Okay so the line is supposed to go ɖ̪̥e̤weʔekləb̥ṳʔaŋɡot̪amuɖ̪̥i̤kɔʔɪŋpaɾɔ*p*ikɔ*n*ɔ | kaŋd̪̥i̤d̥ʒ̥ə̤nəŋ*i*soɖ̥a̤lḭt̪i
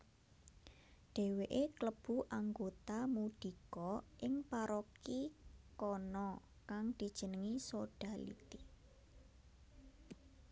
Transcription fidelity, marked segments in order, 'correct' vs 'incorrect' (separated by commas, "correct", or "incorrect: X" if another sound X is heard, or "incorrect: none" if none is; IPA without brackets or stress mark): incorrect: k, correct, correct